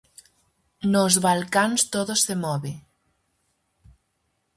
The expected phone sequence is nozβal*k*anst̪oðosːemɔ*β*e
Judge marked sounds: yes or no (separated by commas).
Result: yes, yes